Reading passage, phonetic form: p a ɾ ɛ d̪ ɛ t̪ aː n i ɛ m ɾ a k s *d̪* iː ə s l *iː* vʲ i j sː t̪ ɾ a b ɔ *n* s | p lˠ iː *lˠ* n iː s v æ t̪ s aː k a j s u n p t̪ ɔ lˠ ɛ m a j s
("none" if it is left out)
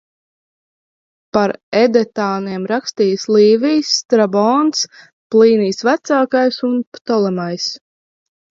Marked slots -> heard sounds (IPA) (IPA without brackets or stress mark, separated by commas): t̪, iː, n, none